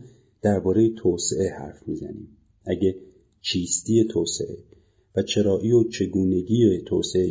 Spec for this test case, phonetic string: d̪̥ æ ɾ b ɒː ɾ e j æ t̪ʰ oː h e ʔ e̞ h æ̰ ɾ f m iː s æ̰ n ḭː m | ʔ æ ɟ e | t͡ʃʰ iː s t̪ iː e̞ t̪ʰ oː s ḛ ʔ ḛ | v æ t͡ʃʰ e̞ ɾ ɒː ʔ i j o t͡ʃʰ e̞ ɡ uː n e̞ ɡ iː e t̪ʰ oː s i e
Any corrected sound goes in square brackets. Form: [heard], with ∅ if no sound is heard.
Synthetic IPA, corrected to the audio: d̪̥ æ ɾ b ɒː ɾ e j [e] t̪ʰ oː [s] e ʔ e̞ h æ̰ ɾ f m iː [z] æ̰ n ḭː m | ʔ æ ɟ e | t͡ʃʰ iː s t̪ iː e̞ t̪ʰ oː s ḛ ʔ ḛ | v æ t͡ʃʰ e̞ ɾ ɒː ʔ i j o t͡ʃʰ e̞ ɡ uː n e̞ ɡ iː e t̪ʰ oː s [e] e